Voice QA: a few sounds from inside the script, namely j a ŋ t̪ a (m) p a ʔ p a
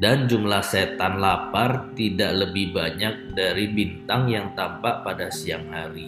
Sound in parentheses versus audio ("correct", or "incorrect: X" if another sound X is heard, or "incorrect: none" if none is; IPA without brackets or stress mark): correct